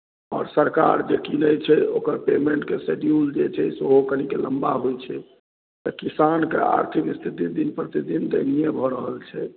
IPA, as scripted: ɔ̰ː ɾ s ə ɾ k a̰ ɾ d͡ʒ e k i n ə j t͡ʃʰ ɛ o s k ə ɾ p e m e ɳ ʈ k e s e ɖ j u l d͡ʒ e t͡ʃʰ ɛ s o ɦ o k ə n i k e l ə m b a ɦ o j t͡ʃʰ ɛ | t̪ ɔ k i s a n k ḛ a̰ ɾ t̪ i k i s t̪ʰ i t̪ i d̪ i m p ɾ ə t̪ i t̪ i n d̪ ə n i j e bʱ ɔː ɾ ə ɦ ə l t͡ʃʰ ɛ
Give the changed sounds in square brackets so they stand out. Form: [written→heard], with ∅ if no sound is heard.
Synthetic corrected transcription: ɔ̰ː ɾ s ə ɾ k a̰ ɾ d͡ʒ e k i n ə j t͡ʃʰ ɛ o [s→∅] k ə ɾ p e m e ɳ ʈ k e s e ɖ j u l d͡ʒ e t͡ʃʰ ɛ s o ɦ o k ə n i k e l ə m b a ɦ o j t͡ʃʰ ɛ | t̪ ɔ k i s a n k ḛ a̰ ɾ [t̪→t̪ʰ] i k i s t̪ʰ i t̪ i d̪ i [m→n] p ɾ ə t̪ i [t̪→d̪] i n d̪ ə n i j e bʱ [ɔː→ɔ] ɾ ə ɦ ə l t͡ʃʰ ɛ